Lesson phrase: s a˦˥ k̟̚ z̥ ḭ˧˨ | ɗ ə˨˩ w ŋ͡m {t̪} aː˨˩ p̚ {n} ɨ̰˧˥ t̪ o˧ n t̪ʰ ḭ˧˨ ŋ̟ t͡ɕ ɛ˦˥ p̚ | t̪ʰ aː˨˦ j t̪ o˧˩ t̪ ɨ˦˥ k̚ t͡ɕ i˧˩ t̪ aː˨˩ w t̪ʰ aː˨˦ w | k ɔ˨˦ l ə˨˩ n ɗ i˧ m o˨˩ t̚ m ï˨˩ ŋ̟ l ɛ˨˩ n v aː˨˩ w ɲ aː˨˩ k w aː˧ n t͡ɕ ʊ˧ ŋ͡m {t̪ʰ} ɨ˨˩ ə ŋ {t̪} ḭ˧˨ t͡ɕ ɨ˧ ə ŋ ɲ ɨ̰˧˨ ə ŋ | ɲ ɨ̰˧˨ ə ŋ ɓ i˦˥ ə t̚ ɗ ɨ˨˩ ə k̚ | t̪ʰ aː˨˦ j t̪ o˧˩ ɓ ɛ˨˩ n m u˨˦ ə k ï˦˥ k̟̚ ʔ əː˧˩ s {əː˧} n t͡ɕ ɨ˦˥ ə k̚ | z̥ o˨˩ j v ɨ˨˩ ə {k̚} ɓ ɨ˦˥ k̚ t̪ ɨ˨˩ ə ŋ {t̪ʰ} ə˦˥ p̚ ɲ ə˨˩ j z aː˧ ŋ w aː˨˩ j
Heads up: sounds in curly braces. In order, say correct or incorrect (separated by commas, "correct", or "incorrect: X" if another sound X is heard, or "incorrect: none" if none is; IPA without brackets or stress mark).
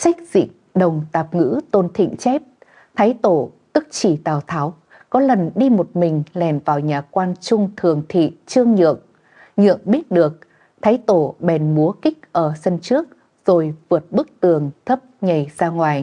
correct, incorrect: ŋ, correct, incorrect: t̪ʰ, incorrect: ə˧, incorrect: t̚, correct